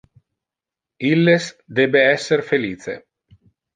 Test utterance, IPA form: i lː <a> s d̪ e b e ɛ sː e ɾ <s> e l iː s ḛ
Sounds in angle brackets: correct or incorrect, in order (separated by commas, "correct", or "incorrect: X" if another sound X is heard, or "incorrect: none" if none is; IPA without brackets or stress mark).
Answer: incorrect: e, incorrect: f